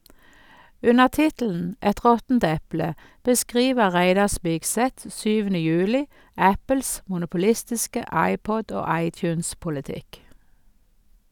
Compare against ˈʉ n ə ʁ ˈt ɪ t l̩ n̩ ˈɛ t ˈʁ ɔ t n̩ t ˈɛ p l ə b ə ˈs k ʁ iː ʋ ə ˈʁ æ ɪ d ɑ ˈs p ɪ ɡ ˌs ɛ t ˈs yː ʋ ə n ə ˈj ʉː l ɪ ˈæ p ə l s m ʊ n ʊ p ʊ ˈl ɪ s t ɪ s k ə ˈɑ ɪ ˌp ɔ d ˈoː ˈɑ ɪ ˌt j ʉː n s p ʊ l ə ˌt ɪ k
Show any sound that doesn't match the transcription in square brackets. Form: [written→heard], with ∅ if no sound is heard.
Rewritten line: ˈʉ n ə ʁ ˈt ɪ t l̩ n̩ ˈɛ t ˈʁ ɔ t n̩ t ˈɛ p l ə b ə ˈs k ʁ iː ʋ ə ˈʁ æ ɪ d ɑ ˈs p ɪ ɡ ˌs ɛ t ˈs yː ʋ ə n ə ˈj ʉː l ɪ ˈæ p ə l s m ʊ n ʊ p ʊ ˈl ɪ s t ɪ s k ə ˈɑ ɪ ˌp ɔ d ˈoː ˈɑ ɪ ˌt j ʉː n s p ʊ l ə ˌt ɪ k